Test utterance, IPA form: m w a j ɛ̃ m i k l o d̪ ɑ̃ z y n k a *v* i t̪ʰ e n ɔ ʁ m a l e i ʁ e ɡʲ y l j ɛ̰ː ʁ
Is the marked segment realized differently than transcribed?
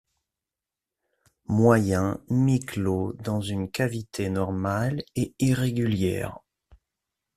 no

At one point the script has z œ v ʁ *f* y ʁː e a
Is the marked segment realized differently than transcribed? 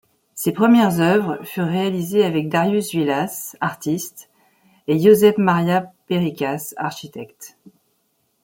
no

